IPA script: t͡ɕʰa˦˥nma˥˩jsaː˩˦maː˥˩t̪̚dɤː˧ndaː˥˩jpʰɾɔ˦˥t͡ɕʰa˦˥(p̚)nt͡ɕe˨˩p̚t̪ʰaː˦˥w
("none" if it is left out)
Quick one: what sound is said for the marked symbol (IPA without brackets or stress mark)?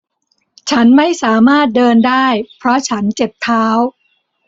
none